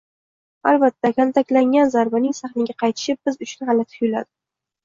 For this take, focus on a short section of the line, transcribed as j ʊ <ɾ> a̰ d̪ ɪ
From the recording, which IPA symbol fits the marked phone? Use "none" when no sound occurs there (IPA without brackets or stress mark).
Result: l